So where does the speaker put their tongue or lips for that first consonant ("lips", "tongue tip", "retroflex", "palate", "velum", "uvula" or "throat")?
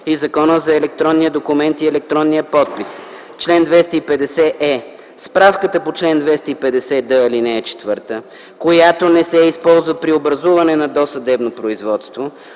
tongue tip